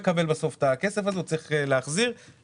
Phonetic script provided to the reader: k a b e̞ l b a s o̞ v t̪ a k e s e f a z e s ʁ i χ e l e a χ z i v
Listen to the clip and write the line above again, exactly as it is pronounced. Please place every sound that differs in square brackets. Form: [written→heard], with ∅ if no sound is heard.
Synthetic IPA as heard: k a b e̞ l b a s o̞ [v→f] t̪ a k e s e f a z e [s→t͡s] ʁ i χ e l e a χ z i [v→ʁ]